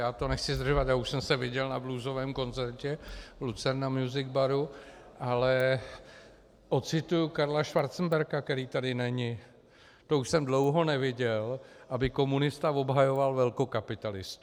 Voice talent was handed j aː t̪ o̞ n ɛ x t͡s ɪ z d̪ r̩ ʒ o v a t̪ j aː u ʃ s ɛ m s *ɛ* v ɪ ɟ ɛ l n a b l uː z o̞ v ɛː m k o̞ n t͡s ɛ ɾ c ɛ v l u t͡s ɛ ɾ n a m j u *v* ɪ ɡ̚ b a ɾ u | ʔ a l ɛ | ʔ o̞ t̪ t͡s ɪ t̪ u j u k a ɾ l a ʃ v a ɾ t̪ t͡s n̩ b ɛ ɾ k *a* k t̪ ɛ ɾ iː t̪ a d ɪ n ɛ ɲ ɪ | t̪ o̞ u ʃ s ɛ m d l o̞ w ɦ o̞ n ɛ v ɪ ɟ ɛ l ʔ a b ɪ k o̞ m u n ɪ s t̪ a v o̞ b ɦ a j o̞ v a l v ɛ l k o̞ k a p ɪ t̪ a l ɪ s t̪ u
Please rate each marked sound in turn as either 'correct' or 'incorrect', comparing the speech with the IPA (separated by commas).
correct, incorrect, correct